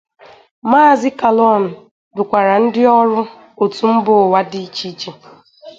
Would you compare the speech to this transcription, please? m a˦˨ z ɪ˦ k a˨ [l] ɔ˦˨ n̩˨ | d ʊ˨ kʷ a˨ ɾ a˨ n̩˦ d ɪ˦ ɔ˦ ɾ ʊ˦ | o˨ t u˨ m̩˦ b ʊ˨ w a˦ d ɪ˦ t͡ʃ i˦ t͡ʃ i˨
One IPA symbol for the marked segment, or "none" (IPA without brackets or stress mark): l